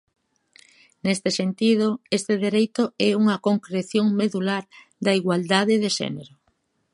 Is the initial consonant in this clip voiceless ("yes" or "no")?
no